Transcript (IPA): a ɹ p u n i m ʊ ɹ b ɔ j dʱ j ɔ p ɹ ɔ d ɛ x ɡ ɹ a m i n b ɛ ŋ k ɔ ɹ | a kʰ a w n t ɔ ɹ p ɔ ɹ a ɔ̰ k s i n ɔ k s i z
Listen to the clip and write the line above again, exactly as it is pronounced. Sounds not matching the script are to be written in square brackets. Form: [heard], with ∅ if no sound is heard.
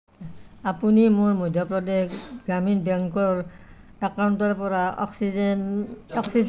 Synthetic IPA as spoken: a [∅] p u n i m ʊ ɹ [m] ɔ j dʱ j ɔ p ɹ ɔ d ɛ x ɡ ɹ a m i n b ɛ ŋ k ɔ ɹ | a [k] a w n t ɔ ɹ p ɔ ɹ a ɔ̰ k s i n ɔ k s i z